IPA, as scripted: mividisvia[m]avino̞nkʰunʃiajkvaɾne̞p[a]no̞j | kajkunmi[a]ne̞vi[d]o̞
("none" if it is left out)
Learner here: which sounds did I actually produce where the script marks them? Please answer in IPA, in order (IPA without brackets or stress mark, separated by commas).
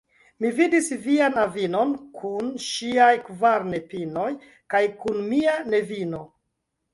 n, i, a, n